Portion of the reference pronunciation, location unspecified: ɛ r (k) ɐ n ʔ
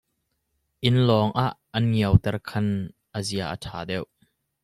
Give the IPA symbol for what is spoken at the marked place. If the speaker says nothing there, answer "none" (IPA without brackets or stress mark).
kʰ